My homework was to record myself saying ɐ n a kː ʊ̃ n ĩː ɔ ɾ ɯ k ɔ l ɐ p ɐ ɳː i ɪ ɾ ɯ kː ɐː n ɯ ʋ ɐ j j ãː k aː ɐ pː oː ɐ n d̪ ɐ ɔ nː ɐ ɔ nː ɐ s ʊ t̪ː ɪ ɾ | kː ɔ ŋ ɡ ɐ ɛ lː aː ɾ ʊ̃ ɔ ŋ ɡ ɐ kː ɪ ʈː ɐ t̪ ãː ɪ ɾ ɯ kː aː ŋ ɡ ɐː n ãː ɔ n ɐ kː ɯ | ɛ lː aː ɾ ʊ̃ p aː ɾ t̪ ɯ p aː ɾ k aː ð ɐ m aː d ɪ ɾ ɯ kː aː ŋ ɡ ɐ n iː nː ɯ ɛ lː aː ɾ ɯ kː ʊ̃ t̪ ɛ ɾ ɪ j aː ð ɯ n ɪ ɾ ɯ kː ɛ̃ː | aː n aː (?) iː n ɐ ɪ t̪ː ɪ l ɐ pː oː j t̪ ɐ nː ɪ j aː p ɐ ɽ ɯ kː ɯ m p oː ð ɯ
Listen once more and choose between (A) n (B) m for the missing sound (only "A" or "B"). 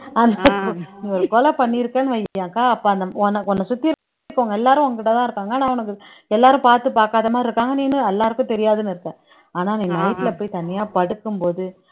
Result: A